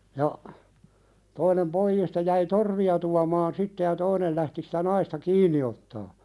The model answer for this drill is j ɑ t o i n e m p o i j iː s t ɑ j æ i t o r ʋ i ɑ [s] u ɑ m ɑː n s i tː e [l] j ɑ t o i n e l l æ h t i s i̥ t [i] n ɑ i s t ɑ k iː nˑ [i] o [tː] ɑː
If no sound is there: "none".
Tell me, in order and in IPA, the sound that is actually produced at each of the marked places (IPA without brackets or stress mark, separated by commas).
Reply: t, none, æ, i, tː